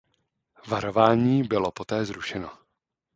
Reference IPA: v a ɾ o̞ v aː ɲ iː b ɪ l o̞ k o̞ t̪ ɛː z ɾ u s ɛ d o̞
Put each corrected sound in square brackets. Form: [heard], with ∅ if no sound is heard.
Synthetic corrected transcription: v a ɾ o̞ v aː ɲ iː b ɪ l o̞ [p] o̞ t̪ ɛː z ɾ u [ʃ] ɛ [n] o̞